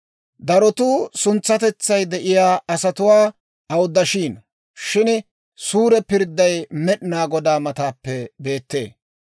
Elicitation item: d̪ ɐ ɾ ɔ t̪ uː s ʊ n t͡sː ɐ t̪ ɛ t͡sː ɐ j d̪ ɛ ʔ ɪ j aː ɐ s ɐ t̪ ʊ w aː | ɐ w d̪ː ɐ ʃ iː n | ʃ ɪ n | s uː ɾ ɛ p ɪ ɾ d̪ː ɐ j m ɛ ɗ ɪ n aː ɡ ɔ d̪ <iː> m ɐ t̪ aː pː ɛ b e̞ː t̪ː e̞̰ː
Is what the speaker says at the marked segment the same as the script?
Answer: no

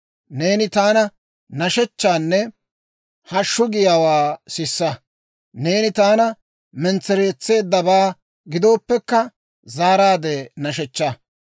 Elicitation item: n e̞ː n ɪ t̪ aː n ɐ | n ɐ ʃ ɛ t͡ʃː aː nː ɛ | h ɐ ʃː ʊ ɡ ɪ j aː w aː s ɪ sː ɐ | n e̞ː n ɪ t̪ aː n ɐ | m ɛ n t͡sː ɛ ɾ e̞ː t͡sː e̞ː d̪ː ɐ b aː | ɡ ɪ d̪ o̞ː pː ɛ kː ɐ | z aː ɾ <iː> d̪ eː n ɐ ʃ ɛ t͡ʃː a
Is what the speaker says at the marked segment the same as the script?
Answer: no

